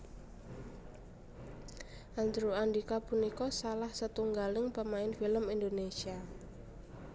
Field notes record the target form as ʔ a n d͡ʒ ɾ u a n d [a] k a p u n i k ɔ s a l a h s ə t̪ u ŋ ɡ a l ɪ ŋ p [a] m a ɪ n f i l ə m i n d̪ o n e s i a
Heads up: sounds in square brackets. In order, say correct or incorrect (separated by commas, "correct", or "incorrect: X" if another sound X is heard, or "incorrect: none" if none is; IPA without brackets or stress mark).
incorrect: i, incorrect: ə